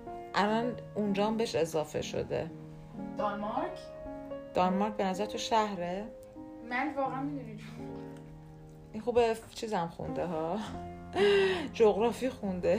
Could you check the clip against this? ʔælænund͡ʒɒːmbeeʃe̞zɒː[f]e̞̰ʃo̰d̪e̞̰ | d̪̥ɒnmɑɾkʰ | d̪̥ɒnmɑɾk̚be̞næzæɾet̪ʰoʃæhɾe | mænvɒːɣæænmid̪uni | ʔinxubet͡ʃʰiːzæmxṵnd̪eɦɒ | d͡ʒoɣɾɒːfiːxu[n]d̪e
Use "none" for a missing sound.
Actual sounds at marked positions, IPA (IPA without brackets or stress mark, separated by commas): f, n